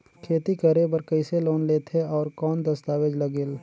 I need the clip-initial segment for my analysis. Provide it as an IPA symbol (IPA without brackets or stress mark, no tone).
kʰ